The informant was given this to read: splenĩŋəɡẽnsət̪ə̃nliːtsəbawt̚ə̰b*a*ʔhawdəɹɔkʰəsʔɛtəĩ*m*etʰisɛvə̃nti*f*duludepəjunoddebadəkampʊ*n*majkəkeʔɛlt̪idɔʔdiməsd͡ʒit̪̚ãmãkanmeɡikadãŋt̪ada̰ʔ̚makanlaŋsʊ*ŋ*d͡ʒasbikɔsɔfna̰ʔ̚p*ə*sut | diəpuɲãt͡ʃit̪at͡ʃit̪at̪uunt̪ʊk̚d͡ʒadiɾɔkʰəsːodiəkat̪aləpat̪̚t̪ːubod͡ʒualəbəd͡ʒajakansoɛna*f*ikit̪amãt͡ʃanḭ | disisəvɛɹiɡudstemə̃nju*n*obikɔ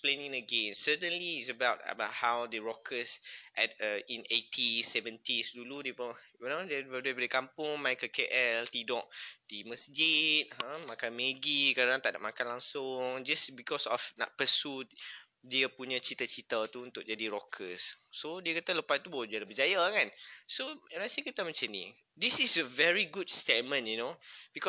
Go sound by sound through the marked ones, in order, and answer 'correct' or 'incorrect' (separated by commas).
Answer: correct, incorrect, incorrect, incorrect, correct, correct, incorrect, correct